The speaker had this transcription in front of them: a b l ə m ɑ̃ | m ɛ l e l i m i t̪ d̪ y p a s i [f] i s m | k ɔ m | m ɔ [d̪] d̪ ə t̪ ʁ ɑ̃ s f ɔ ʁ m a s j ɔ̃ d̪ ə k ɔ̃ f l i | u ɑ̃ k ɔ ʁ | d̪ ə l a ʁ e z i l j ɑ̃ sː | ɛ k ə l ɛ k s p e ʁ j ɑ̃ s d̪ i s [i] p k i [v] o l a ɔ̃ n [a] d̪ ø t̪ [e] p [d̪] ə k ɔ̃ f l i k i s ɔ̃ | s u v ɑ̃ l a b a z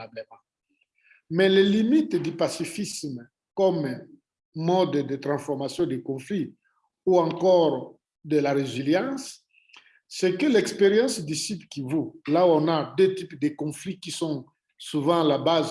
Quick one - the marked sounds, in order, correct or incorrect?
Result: correct, correct, correct, correct, correct, incorrect: i, correct

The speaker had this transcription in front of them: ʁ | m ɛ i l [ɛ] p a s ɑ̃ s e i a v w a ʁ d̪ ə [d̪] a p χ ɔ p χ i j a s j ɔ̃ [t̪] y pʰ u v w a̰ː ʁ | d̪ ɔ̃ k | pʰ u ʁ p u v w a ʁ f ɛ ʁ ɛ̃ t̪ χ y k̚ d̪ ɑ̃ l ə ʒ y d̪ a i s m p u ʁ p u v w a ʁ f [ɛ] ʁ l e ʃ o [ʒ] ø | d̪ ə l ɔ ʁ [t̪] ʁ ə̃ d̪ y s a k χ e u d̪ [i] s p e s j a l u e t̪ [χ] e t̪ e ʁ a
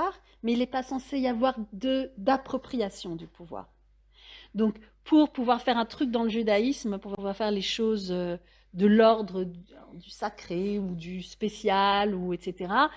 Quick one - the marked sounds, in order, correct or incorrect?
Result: correct, correct, incorrect: d̪, correct, incorrect: z, incorrect: d̪, incorrect: y, incorrect: s

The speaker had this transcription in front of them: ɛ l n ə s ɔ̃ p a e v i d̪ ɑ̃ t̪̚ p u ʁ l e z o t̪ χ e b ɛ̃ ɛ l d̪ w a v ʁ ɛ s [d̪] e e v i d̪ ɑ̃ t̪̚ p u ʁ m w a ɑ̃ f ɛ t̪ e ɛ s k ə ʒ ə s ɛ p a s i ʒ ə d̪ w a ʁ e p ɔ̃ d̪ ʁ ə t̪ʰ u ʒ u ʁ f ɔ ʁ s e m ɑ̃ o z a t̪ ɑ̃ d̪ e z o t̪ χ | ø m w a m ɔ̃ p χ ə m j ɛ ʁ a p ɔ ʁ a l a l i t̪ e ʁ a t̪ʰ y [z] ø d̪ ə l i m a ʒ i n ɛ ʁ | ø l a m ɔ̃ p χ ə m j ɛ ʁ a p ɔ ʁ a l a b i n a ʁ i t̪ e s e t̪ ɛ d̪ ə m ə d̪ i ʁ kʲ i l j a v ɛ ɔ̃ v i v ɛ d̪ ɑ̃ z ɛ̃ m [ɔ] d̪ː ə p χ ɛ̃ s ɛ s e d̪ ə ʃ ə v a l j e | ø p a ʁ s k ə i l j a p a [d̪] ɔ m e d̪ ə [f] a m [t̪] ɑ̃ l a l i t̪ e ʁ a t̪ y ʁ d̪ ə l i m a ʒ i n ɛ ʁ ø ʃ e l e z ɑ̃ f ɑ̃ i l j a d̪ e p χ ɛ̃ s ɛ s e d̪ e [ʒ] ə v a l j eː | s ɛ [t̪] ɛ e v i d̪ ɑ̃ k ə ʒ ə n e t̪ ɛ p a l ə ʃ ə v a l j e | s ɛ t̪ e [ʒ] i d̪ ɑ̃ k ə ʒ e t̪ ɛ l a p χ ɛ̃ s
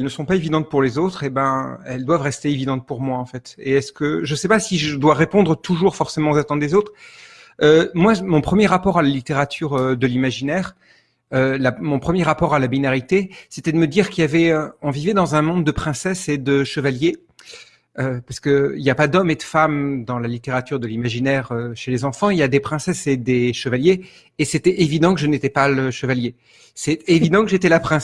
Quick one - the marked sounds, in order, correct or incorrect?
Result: incorrect: t̪, incorrect: ʁ, incorrect: ɔ̃, correct, correct, incorrect: d̪, incorrect: ʃ, correct, incorrect: v

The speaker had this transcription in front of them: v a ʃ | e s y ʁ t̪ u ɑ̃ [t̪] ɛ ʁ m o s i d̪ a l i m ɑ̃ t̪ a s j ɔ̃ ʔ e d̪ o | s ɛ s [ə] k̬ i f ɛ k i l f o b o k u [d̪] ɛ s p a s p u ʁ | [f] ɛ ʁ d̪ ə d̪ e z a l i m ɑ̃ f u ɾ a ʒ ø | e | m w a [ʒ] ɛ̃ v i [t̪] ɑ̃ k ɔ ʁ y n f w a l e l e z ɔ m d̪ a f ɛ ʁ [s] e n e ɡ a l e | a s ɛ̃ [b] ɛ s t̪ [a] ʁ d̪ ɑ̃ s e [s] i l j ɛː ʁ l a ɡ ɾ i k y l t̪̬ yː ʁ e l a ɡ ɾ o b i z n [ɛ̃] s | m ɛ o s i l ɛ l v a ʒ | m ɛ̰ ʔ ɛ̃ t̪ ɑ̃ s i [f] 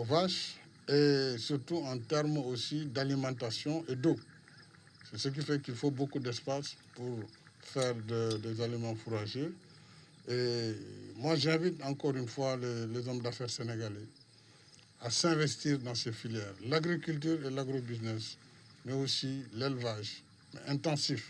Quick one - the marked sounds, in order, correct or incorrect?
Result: correct, correct, correct, correct, correct, correct, correct, incorrect: v, incorrect: i, incorrect: f, incorrect: ɛ, correct

